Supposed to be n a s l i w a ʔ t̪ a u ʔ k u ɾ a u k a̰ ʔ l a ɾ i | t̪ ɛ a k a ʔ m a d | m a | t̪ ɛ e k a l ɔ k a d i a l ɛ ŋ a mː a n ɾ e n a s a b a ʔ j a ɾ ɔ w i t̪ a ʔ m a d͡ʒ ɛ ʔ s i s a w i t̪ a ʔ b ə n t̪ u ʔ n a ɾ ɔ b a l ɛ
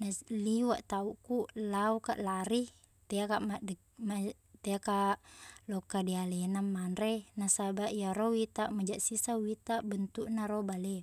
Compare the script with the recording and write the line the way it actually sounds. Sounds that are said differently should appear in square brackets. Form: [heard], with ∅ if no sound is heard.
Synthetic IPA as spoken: n a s l i w a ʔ t̪ a u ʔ k u [l] a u k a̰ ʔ l a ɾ i | t̪ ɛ a k a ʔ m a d | m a | t̪ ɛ [a] k a l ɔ k a d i a l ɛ [n] a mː a n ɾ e n a s a b a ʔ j a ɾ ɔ w i t̪ a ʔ m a d͡ʒ [a] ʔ s i s a w i t̪ a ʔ b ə n t̪ u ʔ n a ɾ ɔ b a l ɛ